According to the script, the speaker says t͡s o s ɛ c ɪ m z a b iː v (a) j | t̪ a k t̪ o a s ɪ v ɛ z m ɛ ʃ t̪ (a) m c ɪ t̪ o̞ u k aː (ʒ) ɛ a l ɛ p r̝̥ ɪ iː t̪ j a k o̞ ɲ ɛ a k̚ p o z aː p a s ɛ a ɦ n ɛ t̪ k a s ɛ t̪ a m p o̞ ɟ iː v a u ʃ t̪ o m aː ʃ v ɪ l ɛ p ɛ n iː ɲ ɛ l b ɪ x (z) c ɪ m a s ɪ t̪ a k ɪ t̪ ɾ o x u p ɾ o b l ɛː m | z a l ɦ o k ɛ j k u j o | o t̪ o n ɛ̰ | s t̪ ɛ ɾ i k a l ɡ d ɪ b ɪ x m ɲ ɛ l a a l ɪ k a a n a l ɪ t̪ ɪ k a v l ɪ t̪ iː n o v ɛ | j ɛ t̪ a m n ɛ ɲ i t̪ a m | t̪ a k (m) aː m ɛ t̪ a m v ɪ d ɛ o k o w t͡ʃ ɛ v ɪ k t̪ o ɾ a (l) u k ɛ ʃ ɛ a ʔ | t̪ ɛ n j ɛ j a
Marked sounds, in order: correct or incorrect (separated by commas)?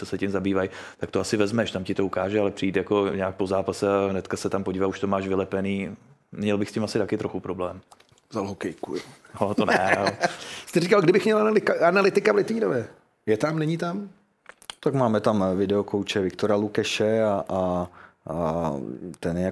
correct, correct, correct, incorrect, correct, correct